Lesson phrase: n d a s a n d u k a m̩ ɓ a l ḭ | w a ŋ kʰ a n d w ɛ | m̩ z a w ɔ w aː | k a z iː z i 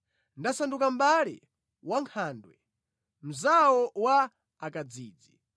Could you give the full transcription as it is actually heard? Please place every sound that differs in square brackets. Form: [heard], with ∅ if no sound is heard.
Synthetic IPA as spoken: n d a s a n d u k a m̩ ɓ a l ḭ | w a ŋ kʰ a n d w ɛ | m̩ z a w ɔ w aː | k a [d͡z] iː [d͡z] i